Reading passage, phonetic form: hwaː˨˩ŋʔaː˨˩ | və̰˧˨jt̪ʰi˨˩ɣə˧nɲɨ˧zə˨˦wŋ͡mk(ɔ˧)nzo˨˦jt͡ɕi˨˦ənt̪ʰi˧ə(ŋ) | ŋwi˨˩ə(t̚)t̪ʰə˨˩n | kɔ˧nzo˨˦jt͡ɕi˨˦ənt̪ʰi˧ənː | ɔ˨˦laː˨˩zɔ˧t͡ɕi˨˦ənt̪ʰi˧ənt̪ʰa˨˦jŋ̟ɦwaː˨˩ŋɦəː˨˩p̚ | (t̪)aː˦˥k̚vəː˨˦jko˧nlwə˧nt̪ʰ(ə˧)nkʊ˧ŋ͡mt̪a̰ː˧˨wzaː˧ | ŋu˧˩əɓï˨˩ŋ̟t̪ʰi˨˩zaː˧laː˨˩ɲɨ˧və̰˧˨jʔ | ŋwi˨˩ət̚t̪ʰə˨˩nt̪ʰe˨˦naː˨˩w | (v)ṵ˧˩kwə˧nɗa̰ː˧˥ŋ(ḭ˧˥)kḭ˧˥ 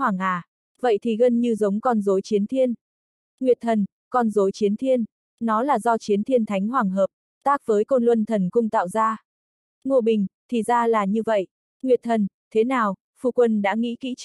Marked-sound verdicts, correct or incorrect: correct, incorrect: n, correct, correct, incorrect: ə˨˩, incorrect: f, correct

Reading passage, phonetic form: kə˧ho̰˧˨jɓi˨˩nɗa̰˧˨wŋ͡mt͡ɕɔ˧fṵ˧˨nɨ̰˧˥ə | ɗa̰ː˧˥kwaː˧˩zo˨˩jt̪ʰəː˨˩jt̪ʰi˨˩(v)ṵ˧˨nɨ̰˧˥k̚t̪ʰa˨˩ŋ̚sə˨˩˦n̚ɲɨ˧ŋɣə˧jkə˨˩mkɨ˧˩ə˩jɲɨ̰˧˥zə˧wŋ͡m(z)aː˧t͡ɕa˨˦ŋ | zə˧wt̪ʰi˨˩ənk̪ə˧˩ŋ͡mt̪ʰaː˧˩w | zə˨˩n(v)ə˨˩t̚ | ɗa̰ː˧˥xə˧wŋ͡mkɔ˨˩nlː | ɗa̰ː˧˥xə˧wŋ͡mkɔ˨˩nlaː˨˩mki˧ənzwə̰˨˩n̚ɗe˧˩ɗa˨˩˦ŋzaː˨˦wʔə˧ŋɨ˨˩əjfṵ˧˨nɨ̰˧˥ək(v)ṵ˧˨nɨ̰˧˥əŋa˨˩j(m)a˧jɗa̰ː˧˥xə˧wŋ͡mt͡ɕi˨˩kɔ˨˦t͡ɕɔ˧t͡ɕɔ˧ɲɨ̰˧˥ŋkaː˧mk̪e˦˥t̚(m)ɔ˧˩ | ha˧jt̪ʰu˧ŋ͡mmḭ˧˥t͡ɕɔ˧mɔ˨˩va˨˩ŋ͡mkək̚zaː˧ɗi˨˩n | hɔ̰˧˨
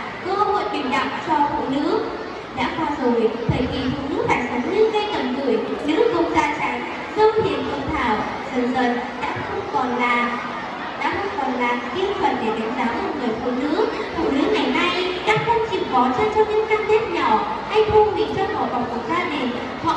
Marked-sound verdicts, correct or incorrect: incorrect: f, correct, incorrect: z, incorrect: f, incorrect: n, incorrect: ɲ

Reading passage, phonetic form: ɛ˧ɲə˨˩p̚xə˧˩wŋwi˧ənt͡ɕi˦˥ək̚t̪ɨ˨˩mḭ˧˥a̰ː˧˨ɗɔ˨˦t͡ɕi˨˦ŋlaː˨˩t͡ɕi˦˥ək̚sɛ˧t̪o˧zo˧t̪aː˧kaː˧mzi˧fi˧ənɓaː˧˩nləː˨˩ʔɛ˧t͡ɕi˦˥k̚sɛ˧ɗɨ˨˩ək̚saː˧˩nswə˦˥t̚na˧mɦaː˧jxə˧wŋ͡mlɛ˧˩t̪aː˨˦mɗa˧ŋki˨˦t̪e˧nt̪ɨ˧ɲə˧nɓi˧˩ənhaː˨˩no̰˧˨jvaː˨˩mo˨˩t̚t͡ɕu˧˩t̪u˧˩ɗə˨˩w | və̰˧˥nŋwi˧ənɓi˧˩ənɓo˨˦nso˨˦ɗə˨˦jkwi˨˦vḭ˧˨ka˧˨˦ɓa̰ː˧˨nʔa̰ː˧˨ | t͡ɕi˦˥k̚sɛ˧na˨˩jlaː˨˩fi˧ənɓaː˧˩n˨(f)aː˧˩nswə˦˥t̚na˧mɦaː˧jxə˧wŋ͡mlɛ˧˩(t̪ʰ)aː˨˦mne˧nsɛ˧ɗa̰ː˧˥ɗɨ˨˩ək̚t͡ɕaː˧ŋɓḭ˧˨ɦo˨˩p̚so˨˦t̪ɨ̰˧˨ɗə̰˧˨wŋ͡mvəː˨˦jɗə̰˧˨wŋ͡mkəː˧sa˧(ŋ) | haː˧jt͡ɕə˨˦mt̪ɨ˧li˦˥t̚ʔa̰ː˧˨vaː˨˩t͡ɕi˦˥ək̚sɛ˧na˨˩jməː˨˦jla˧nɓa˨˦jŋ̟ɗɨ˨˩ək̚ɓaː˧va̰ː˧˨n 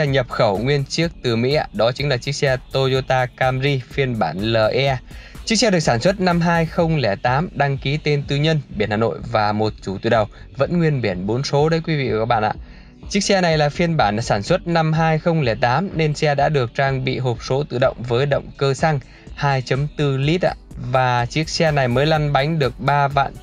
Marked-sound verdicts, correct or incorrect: incorrect: s, incorrect: t̪, correct

